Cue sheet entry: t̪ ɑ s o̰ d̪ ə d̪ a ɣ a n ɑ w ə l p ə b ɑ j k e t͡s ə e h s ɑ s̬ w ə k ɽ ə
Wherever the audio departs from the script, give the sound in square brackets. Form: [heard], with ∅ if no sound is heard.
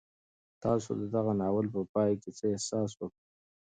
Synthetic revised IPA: t̪ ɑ s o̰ d̪ ə d̪ a ɣ a n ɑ w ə l p ə [p] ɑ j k e t͡s ə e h s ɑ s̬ w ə k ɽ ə